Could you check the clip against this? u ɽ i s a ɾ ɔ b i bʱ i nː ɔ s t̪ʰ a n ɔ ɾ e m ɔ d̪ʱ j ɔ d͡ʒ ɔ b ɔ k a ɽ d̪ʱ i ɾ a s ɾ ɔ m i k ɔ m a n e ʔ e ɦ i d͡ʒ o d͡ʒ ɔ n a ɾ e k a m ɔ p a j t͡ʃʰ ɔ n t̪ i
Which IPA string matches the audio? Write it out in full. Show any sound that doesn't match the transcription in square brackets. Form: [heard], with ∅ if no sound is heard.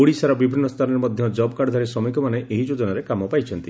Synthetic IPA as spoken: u ɽ i s a ɾ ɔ b i bʱ i nː ɔ s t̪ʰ a n ɔ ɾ e m ɔ d̪ʱ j ɔ d͡ʒ ɔ b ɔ k a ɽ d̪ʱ [a] ɾ [i] s ɾ ɔ m i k ɔ m a n e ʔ e ɦ i d͡ʒ o d͡ʒ ɔ n a ɾ e k a m ɔ p a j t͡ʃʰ ɔ n t̪ i

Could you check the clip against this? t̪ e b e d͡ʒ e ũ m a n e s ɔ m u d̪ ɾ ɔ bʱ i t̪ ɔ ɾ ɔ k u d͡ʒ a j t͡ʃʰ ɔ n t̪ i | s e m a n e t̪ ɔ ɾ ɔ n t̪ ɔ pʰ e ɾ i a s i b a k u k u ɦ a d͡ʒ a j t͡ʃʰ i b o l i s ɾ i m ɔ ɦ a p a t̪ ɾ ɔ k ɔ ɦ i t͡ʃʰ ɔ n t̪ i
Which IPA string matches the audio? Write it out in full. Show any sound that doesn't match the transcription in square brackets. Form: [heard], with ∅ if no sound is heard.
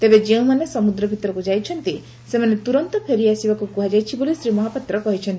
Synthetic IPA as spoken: t̪ e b e d͡ʒ e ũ m a n e s ɔ m u d̪ ɾ ɔ bʱ i t̪ ɔ ɾ ɔ k u d͡ʒ a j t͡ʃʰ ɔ n t̪ i | s e m a n e t̪ [u] ɾ ɔ n t̪ ɔ pʰ e ɾ i a s i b a k u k u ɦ a d͡ʒ a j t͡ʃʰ i b o l i s ɾ i m ɔ ɦ a p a t̪ ɾ ɔ k ɔ ɦ i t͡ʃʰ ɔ n t̪ i

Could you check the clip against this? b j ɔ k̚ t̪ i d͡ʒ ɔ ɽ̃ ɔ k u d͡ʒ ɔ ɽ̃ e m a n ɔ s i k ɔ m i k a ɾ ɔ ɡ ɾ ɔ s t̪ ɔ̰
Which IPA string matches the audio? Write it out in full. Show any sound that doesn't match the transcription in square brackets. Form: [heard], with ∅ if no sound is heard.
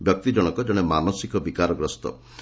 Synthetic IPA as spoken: b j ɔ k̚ t̪ i d͡ʒ ɔ ɽ̃ ɔ k [ɔ] d͡ʒ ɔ ɽ̃ e m a n ɔ s i k ɔ [b] i k a ɾ ɔ ɡ ɾ ɔ s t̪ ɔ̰

